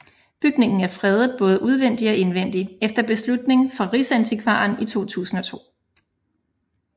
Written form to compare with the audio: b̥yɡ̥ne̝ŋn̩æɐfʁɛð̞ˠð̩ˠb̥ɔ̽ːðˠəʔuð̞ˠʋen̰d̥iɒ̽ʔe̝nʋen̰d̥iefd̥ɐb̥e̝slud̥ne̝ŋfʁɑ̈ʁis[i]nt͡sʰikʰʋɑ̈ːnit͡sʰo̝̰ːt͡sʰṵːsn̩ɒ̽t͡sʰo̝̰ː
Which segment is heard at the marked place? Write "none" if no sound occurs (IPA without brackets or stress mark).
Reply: æ